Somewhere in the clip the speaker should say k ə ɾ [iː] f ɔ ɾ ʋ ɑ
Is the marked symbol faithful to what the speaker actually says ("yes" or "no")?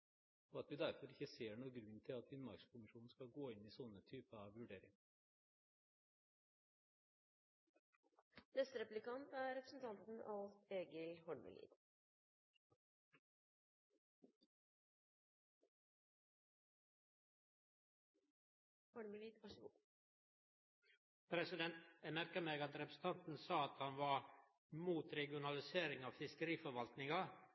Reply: yes